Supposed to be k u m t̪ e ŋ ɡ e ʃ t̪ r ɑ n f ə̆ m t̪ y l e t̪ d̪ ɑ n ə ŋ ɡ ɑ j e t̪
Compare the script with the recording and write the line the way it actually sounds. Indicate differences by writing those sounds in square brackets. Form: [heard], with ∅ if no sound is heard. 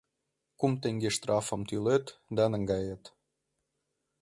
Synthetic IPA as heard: k u m t̪ e ŋ ɡ e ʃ t̪ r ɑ [∅] f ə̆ m t̪ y l e t̪ d̪ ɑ n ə ŋ ɡ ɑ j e t̪